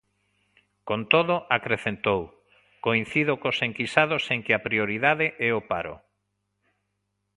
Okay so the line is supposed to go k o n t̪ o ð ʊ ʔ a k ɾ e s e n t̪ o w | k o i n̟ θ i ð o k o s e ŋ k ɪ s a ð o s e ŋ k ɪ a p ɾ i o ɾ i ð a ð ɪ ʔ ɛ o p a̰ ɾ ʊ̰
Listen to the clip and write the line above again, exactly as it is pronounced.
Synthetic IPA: k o n t̪ o ð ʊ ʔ a k ɾ e θ e n t̪ o w | k o i n̟ θ i ð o k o s e ŋ k i s a ð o s e ŋ k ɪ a p ɾ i o ɾ i ð a ð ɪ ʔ ɛ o p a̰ ɾ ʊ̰